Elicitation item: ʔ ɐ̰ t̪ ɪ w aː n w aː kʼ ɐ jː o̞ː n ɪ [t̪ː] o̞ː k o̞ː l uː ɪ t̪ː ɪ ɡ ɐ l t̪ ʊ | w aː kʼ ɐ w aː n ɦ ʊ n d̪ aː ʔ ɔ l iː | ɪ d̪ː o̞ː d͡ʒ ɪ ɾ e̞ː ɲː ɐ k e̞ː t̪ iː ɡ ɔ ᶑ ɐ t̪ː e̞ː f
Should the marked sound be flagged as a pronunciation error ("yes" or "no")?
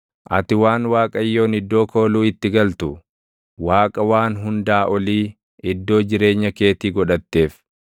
yes